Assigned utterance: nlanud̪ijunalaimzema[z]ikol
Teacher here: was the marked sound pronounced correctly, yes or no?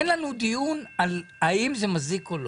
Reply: yes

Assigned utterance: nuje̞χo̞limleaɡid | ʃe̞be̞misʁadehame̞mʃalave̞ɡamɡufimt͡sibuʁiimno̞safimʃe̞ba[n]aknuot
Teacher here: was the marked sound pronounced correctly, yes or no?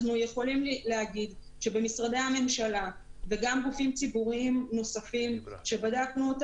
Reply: no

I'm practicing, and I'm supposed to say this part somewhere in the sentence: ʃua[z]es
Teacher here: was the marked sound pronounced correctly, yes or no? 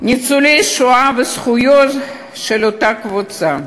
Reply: no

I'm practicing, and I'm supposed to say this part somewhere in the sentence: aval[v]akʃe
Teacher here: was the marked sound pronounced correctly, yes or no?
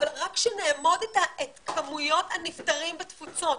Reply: no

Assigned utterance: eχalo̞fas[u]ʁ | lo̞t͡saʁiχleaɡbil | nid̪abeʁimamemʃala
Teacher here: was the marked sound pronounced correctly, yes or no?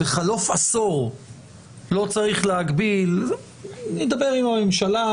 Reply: no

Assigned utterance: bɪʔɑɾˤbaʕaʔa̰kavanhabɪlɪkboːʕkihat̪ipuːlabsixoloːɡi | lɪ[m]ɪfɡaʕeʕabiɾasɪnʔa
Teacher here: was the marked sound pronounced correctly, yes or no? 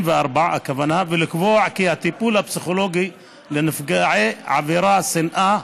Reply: no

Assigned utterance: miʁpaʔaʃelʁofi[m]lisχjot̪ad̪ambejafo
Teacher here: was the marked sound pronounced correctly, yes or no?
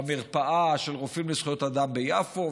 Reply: yes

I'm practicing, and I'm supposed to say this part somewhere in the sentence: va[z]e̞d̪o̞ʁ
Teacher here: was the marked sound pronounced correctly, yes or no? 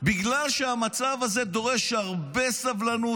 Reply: yes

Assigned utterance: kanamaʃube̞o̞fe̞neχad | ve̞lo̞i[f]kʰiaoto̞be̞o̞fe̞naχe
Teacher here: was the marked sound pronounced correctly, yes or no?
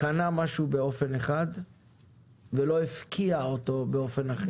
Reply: yes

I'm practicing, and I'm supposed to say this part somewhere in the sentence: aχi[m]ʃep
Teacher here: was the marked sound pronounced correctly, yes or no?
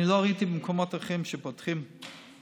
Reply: yes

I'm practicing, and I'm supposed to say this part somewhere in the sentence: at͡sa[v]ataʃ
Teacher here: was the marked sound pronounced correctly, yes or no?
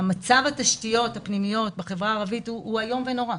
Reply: yes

